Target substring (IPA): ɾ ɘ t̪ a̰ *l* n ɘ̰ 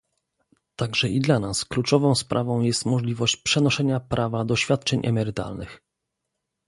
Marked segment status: correct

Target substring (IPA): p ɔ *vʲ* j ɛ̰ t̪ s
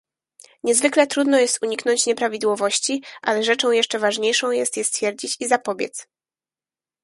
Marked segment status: incorrect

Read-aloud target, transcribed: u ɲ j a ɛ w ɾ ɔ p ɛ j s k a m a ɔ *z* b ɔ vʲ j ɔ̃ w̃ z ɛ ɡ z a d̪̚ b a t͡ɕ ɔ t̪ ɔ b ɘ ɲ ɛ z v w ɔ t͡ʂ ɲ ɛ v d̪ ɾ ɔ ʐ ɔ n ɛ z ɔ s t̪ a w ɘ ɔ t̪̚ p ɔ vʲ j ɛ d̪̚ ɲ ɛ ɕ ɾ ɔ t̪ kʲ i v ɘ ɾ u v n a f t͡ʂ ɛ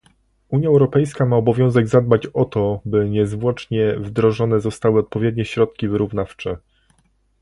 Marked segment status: incorrect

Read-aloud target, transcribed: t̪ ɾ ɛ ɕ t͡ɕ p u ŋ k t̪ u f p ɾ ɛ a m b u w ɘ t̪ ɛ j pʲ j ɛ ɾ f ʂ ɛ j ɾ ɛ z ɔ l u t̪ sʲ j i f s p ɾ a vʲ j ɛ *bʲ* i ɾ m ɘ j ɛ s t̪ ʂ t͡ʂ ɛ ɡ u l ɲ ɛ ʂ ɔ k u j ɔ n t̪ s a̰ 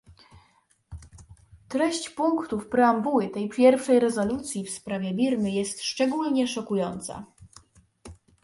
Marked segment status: correct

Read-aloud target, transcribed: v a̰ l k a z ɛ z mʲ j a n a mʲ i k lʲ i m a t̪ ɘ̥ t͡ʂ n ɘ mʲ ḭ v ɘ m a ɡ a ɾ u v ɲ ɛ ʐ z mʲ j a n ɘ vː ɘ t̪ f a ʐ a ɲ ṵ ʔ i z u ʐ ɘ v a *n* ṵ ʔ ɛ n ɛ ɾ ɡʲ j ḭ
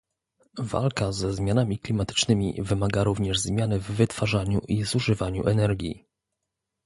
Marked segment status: incorrect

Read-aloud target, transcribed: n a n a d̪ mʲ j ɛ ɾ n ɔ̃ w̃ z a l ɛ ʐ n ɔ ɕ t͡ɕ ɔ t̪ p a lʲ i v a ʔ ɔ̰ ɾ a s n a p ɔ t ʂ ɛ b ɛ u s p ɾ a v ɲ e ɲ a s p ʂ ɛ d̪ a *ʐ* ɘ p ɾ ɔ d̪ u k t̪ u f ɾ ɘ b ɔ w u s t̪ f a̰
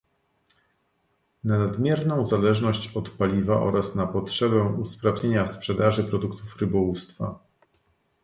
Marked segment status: correct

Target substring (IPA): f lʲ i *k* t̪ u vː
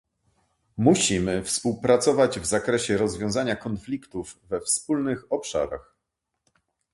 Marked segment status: correct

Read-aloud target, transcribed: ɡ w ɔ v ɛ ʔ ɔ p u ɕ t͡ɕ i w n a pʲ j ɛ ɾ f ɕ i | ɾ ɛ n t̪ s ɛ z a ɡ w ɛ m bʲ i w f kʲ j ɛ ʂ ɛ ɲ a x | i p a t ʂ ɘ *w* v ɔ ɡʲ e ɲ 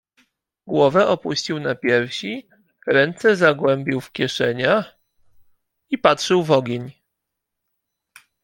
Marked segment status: correct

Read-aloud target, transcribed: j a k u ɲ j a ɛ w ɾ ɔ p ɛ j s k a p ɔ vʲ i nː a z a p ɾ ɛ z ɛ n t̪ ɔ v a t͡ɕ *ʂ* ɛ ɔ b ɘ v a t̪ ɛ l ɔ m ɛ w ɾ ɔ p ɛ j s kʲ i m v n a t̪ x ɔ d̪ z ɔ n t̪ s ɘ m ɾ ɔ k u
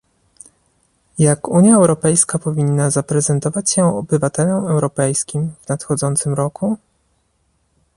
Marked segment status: incorrect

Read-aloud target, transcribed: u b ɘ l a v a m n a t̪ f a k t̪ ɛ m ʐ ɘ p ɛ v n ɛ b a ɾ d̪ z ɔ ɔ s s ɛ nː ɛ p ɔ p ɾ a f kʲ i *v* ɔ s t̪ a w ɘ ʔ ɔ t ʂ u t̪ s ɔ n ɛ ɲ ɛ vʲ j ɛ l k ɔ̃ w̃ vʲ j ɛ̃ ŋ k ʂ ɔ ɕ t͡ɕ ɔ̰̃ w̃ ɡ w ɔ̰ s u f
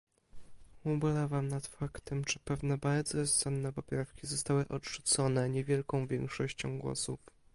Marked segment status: incorrect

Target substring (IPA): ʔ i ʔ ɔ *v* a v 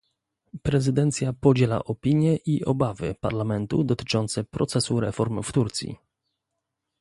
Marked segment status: incorrect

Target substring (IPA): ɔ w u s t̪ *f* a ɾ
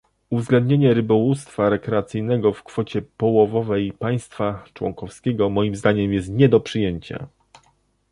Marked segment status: correct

